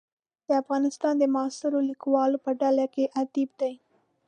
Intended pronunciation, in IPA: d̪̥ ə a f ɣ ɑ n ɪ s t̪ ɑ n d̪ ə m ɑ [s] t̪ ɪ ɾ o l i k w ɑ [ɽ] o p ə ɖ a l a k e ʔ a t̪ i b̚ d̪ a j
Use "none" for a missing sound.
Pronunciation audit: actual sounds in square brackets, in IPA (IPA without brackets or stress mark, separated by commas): s, l